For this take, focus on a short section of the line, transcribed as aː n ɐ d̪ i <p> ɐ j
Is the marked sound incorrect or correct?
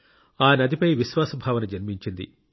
correct